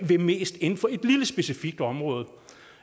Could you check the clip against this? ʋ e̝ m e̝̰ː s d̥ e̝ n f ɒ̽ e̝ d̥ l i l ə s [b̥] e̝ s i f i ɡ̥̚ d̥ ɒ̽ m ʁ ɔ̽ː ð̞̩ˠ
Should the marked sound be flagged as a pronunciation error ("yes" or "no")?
no